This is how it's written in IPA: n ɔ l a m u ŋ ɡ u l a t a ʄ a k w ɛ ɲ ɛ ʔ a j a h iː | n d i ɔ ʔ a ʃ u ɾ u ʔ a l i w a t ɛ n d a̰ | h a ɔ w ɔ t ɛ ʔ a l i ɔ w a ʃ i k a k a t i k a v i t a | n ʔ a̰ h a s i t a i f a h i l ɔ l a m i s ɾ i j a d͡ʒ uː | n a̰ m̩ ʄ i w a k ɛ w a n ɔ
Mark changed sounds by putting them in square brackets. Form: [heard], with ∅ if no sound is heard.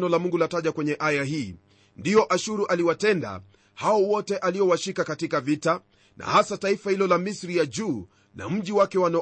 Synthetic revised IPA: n ɔ l a m u ŋ ɡ u l a t a ʄ a k w ɛ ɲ ɛ ʔ a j a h iː | n d i ɔ ʔ a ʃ u ɾ u ʔ a l i w a t ɛ n d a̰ | h a ɔ w ɔ t ɛ ʔ a l i ɔ w a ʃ i k a k a t i k a v i t a | n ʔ a̰ h a s [a] t a i f a h i l ɔ l a m i s ɾ i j a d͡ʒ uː | n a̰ m̩ ʄ i w a k ɛ w a n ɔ